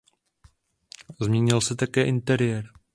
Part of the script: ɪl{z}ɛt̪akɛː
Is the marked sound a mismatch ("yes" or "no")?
yes